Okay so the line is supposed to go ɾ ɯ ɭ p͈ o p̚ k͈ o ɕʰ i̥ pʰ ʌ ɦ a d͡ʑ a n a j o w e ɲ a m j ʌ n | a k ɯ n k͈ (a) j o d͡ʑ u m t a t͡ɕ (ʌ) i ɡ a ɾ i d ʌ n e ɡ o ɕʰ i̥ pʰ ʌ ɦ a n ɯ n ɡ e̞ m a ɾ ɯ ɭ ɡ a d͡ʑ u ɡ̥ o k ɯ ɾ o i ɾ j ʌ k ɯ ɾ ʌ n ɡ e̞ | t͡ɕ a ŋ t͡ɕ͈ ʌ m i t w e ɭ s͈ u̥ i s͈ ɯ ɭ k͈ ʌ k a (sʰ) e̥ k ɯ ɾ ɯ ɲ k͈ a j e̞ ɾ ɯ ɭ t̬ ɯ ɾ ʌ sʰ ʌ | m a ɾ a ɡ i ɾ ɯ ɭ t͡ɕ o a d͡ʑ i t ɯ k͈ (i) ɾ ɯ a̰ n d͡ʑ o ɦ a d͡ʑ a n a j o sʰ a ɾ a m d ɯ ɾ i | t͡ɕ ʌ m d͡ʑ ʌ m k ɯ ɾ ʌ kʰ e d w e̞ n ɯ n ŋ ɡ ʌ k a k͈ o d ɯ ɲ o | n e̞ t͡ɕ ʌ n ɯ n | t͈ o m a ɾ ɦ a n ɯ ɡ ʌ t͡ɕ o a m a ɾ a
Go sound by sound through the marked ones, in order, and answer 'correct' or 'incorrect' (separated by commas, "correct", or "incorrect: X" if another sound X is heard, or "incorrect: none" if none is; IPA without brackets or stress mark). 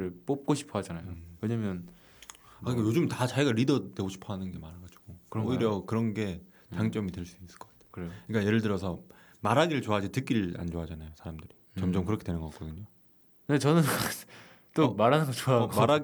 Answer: correct, incorrect: a, incorrect: tʰ, correct